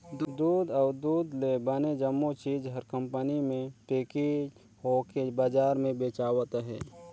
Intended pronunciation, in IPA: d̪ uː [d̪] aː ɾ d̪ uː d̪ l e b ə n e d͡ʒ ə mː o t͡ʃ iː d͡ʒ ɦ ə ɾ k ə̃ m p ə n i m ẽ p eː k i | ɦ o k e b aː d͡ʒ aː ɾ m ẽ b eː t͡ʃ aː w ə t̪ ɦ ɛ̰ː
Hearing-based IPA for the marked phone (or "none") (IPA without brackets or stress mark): d̪